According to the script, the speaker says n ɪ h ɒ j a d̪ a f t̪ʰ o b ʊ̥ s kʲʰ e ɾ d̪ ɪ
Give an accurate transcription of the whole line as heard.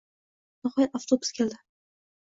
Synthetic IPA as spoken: n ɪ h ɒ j a t̪ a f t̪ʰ o b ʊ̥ s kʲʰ e l d̪ ɪ

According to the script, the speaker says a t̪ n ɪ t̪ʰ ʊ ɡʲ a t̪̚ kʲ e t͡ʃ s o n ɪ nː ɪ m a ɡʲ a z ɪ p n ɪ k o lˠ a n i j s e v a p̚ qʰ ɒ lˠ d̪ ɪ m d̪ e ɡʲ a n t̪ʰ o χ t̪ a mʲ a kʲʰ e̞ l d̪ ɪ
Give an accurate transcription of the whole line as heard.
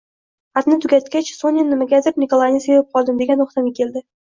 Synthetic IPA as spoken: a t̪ n ɪ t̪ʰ ʊ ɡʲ a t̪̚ kʲ a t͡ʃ s o n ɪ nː ɪ m a ɡʲ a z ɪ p n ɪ k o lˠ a n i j s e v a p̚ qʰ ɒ lˠ d̪ ɪ m d̪ e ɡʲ a n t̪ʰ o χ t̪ a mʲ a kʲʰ e̞ l d̪ ɪ

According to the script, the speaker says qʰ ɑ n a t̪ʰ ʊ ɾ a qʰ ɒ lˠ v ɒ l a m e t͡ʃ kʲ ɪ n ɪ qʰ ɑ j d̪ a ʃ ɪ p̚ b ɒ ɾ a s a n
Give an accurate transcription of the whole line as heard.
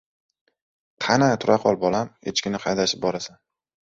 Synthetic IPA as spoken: qʰ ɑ n a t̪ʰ ʊ ɾ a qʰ ɒ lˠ b ɒ l a m e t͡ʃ kʲ ɪ n ɪ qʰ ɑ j d̪ a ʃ ɪ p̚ b ɒ ɾ a s a n

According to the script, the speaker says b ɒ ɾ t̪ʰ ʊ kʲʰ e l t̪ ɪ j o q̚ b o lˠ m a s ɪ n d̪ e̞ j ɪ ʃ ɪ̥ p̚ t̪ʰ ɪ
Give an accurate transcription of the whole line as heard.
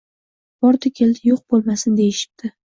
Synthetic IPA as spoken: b ɒ ɾ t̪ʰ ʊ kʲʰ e l d̪ ɪ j o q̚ b o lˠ m a s ɪ n d̪ e̞ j ɪ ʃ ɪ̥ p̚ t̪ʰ ɪ

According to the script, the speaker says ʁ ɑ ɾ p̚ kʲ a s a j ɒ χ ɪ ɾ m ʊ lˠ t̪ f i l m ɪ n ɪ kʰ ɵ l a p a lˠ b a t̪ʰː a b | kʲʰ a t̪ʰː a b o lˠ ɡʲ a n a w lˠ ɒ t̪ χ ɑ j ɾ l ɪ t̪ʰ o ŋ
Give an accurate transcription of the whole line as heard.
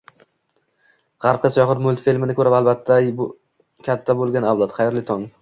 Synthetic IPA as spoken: ʁ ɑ ɾ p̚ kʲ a s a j ɒ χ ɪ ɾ m ʊ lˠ t̪ f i l m ɪ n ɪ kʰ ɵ ɾ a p a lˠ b a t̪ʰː a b | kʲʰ a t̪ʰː a b o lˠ ɡʲ a n a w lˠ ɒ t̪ χ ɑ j ɾ l ɪ t̪ʰ ɒ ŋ

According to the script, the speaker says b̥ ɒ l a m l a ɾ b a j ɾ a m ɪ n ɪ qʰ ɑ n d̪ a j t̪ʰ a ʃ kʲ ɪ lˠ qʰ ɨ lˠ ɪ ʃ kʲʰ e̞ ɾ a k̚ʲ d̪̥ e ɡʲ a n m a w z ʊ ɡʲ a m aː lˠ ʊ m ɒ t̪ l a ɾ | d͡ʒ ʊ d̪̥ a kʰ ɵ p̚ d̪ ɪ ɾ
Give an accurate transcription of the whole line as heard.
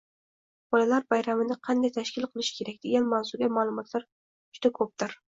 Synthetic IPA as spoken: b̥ ɒ l a l a ɾ b a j ɾ a m ɪ n ɪ qʰ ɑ n d̪ a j t̪ʰ a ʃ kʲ ɪ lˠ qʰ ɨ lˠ ɪ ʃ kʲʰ e̞ ɾ a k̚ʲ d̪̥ e ɡʲ a n m a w z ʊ ɡʲ a m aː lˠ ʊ m ɒ t̪ l a ɾ | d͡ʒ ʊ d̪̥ a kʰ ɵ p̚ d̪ ɪ ɾ

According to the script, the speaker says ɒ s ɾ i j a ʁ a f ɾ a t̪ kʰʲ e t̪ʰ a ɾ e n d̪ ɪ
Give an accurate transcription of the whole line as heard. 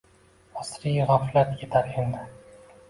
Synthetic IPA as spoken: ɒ s ɾ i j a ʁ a f l a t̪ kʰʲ e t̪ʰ a ɾ e n d̪ ɪ

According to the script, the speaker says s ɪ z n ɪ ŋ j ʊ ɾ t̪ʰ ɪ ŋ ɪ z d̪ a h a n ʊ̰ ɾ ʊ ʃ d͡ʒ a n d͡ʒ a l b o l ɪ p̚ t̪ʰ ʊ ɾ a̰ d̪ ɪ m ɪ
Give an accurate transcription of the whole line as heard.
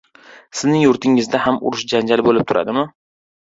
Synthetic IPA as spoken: s ɪ z n ɪ ŋ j ʊ ɾ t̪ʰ ɪ ŋ ɪ z d̪ a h a m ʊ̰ ɾ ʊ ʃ d͡ʒ a n d͡ʒ a l b o l ɪ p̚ t̪ʰ ʊ ɾ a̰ d̪ ɪ m ɪ

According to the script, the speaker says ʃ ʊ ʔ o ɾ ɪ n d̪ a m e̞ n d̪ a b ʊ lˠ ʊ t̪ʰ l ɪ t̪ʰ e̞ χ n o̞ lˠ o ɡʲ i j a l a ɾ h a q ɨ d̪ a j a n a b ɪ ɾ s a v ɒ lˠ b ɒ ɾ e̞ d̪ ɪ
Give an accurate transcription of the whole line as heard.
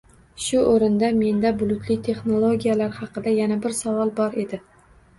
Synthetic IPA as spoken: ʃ ʊ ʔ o ɾ ɪ n d̪ a m e̞ n d̪ a b ʊ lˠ ʊ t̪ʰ l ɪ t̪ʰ e̞ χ n o̞ lˠ o ɡʲ i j a l a ɾ h ɑ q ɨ d̪ a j a n a b ɪ ɾ s a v ɒ lˠ b ɒ ɾ e̞ d̪ ɪ

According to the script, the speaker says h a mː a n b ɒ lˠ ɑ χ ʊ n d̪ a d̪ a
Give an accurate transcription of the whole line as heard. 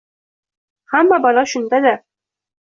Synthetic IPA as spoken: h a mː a b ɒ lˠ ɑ ʃ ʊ n d̪ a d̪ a

